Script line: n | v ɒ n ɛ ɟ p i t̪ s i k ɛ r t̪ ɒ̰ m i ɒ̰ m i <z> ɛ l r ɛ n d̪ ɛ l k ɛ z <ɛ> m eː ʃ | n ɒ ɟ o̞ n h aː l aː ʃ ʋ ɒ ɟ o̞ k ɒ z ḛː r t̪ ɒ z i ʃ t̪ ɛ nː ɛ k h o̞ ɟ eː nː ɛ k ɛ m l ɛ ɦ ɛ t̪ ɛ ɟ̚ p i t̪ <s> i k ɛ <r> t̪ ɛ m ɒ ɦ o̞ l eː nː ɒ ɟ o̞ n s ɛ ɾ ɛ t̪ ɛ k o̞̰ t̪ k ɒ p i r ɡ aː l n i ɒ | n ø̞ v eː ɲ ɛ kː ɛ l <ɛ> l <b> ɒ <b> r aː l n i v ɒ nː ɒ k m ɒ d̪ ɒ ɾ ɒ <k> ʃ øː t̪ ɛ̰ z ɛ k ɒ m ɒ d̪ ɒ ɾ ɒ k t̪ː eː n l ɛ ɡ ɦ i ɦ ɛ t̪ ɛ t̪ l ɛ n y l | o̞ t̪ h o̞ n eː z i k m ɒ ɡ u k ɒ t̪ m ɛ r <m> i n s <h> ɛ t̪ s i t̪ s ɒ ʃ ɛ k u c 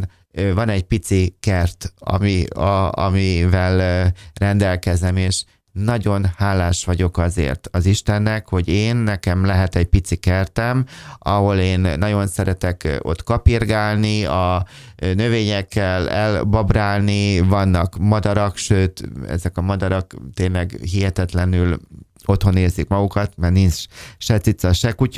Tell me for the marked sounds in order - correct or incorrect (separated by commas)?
incorrect, correct, correct, correct, correct, correct, correct, correct, incorrect, incorrect